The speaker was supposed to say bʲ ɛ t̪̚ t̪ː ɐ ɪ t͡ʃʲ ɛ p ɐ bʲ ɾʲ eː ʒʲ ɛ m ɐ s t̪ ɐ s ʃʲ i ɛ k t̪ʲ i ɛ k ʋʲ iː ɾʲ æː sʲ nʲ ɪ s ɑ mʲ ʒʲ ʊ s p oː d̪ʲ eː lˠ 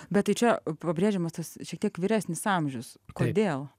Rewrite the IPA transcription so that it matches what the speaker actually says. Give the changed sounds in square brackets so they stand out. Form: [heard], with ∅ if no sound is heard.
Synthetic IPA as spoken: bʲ ɛ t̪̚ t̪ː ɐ ɪ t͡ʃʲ ɛ p ɐ bʲ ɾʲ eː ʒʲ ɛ m ɐ s t̪ ɐ s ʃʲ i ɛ k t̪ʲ i ɛ k ʋʲ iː ɾʲ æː sʲ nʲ ɪ s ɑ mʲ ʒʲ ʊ s [k] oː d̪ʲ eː lˠ